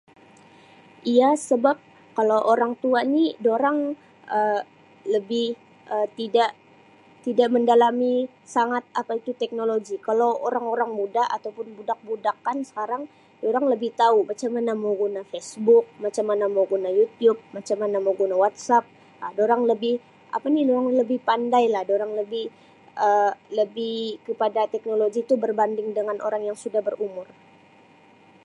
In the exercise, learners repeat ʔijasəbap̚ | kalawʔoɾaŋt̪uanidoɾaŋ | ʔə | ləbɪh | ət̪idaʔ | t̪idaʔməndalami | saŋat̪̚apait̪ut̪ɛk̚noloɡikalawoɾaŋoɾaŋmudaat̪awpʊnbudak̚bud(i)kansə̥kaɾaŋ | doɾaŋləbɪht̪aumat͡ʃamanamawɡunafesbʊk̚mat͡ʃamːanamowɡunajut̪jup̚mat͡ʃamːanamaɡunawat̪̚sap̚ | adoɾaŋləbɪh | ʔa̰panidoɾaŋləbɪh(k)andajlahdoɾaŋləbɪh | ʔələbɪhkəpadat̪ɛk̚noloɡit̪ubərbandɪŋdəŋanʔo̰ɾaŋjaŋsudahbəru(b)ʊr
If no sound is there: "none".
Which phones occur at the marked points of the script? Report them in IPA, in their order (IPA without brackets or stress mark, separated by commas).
a, p, m